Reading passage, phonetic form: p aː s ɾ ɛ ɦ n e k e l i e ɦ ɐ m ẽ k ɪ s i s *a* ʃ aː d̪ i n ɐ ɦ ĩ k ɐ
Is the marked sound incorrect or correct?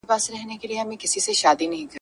incorrect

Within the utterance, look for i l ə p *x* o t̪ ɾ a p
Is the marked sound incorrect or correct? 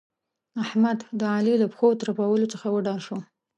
correct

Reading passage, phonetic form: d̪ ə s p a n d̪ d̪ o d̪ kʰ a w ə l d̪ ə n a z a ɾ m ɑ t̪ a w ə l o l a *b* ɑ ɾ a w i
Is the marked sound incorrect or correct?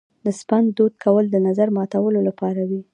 incorrect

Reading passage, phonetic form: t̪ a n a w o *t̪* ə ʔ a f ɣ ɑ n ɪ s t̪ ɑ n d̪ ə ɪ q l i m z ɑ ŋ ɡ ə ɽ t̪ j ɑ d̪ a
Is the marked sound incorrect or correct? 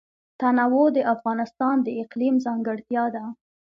incorrect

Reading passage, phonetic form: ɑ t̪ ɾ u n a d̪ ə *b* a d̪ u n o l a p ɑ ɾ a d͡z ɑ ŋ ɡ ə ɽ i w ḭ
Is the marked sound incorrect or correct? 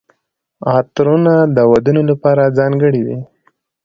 incorrect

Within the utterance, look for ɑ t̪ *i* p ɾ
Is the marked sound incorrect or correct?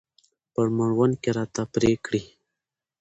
incorrect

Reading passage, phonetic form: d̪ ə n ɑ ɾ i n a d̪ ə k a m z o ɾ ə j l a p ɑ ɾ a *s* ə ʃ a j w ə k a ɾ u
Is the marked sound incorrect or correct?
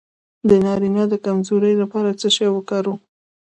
incorrect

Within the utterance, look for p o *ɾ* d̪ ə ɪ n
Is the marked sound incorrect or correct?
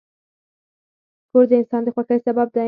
correct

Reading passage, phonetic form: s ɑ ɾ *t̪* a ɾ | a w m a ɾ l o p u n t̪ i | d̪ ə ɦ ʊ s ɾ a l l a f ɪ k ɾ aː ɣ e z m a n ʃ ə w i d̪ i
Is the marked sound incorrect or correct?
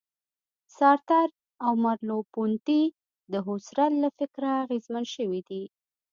correct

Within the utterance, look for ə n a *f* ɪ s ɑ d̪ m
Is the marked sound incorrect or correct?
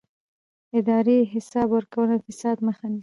correct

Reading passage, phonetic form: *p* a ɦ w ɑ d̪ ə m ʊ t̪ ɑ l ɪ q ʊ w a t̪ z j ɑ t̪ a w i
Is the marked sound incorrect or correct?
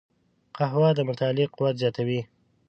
incorrect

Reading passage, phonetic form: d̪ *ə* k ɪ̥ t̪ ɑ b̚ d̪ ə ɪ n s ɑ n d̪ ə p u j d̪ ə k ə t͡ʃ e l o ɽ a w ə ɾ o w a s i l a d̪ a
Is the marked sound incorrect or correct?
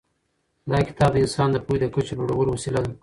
incorrect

